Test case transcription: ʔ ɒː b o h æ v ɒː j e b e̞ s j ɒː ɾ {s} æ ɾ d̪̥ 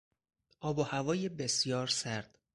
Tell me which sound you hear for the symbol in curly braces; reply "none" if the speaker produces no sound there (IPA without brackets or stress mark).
s